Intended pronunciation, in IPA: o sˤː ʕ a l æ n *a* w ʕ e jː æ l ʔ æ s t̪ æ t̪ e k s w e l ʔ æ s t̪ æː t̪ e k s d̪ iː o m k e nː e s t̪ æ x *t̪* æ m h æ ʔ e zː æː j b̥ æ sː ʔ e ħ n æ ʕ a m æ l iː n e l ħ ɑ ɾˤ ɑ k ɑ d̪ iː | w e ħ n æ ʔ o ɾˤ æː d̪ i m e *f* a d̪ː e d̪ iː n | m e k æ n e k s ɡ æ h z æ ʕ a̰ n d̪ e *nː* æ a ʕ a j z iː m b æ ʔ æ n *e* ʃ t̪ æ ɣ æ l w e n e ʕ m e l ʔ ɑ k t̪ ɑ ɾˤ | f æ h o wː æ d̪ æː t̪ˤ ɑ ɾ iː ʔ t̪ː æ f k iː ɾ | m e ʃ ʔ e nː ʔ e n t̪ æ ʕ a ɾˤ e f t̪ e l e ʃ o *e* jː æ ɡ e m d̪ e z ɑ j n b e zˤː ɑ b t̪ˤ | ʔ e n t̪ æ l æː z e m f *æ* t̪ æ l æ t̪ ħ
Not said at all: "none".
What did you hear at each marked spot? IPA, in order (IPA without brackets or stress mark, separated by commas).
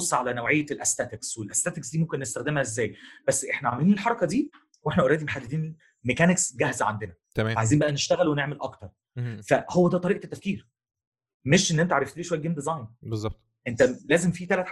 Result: æ, d̪, ħ, n, e, æ, i